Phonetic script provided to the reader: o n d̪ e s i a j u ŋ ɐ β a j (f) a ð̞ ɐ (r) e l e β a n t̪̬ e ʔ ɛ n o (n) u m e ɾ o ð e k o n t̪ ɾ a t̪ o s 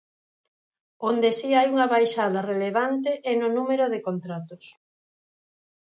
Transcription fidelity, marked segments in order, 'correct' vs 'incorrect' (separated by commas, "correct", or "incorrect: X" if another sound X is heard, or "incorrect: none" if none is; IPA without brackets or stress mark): incorrect: ʃ, correct, correct